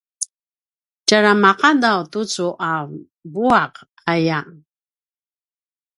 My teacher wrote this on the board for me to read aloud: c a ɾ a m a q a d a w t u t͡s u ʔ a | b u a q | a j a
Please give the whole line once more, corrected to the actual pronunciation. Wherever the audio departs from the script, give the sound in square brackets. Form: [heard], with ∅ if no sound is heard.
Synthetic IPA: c a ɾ a m a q a d a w t u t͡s u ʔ a | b u a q | a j a